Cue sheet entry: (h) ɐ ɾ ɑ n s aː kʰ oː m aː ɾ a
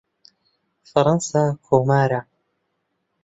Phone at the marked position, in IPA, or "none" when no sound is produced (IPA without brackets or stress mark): f